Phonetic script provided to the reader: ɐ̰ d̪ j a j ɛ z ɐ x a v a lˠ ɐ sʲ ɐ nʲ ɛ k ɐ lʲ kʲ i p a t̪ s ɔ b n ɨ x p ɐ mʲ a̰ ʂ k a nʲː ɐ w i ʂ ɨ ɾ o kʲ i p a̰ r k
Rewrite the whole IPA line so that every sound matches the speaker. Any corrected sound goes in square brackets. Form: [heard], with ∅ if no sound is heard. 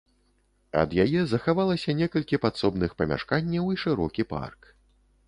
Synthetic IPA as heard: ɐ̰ d̪ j a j ɛ z ɐ x a v a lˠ ɐ sʲ ɐ nʲ ɛ k ɐ lʲ kʲ i p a t̪ s ɔ b n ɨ x p ɐ mʲ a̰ ʂ k a nʲː ɐ w i ʂ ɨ ɾ [ɔ] kʲ i p a̰ r k